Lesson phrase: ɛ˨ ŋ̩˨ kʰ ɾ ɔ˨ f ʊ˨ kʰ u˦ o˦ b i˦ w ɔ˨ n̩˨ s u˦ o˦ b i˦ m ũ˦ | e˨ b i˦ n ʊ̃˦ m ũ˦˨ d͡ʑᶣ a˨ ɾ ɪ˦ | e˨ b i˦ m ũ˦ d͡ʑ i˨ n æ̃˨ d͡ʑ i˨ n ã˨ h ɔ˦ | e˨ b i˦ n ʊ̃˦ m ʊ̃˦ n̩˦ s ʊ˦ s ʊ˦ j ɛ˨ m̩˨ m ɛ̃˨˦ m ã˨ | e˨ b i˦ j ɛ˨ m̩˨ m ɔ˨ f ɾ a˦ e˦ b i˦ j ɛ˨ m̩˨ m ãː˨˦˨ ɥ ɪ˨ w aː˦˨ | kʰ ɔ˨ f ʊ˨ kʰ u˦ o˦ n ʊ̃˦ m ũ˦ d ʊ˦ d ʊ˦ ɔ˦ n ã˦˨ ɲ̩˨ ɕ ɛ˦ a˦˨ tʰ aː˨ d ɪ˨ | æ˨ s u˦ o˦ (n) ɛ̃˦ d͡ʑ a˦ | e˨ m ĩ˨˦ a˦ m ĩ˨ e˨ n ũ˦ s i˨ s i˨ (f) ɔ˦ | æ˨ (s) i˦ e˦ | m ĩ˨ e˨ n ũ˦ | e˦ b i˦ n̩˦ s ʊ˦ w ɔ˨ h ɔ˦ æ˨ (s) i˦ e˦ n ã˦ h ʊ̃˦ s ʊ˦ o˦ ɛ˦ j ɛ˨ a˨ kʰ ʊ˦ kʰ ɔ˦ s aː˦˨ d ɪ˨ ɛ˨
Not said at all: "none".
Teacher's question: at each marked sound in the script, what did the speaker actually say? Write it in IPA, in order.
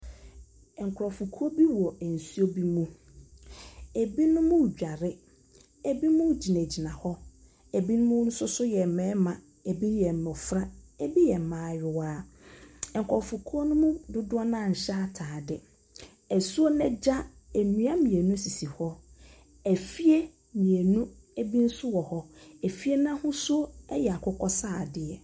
n, h, f, f

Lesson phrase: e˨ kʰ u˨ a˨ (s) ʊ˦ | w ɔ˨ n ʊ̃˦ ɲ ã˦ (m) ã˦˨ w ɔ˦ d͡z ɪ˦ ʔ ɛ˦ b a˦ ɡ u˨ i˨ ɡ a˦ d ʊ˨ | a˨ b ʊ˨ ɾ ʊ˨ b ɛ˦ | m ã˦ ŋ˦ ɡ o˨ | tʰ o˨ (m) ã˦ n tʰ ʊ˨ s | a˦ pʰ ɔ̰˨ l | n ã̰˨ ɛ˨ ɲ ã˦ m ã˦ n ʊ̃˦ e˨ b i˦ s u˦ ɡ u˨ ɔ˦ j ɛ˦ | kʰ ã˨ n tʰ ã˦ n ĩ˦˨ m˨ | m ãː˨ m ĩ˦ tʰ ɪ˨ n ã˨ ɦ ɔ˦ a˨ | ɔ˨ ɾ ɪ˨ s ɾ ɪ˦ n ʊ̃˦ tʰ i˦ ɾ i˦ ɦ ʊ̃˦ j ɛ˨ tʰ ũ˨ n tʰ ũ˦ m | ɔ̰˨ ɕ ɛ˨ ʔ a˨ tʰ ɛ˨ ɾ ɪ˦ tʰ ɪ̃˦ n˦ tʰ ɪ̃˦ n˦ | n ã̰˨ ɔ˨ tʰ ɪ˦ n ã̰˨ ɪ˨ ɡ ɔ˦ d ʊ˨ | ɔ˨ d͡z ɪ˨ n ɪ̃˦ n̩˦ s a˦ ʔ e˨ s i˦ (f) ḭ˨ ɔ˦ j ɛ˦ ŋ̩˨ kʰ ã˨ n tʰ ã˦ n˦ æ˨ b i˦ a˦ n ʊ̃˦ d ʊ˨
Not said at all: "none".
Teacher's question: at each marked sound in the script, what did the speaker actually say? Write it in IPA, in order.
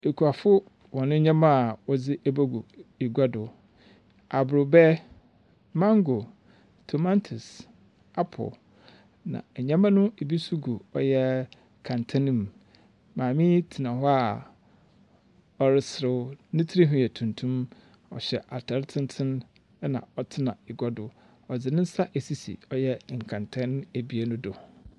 f, m, m, s

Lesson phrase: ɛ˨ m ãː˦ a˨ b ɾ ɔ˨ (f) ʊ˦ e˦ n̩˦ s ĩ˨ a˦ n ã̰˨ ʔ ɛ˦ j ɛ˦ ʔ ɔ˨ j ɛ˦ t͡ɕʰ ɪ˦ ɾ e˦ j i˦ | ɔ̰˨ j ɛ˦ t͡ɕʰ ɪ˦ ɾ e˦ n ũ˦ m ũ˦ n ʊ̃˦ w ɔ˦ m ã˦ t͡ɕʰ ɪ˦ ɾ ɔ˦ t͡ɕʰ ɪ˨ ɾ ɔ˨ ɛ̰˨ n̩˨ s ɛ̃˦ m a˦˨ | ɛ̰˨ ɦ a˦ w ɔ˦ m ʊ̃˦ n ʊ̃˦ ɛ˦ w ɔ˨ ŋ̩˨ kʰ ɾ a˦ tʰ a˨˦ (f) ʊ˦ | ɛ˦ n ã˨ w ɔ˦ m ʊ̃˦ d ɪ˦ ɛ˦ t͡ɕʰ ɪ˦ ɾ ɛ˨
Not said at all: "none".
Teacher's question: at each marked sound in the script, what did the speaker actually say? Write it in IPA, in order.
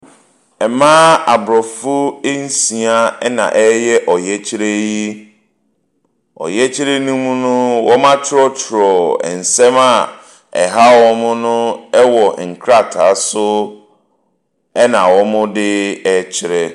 f, s

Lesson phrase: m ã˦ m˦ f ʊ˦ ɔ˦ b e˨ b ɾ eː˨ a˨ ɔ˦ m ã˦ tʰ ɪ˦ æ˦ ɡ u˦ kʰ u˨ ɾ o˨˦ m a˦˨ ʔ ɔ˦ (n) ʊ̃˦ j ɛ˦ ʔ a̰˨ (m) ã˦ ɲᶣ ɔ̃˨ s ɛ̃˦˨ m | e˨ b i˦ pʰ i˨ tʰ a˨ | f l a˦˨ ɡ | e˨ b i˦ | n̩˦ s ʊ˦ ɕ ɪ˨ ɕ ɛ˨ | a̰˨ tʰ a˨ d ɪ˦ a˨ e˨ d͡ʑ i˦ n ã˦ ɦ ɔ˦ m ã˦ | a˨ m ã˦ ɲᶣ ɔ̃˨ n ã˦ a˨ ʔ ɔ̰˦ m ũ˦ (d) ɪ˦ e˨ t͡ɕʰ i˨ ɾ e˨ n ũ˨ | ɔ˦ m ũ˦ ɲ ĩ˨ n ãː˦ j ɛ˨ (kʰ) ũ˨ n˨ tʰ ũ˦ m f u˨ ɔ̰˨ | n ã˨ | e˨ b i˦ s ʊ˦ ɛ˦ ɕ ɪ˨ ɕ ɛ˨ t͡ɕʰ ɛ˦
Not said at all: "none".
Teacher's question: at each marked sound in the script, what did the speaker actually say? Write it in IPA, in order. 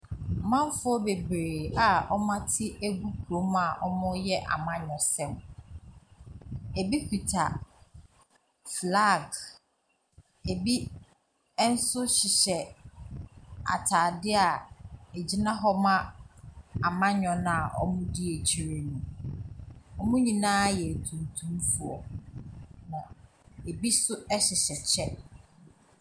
m, m, d, tʰ

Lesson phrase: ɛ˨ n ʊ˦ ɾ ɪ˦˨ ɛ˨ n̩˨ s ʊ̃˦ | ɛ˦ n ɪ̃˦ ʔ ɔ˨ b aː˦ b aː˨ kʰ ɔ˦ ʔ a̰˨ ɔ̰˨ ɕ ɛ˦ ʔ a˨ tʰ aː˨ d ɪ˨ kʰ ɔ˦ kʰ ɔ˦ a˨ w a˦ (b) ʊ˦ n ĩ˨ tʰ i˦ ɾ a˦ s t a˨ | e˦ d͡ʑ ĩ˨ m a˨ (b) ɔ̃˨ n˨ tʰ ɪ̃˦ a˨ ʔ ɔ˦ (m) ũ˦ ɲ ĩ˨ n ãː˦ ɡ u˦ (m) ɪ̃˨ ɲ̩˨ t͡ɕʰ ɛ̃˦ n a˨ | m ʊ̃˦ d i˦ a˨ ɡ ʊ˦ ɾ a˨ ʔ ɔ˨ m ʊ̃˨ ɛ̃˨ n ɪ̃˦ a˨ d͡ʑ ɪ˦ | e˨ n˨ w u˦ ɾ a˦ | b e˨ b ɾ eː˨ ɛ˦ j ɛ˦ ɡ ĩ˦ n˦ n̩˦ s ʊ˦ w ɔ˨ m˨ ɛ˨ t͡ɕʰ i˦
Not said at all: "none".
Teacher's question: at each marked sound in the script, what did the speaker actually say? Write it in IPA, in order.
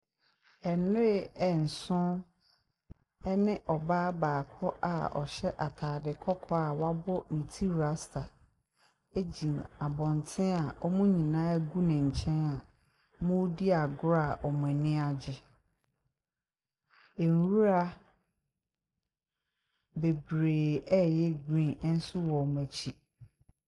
b, b, m, n

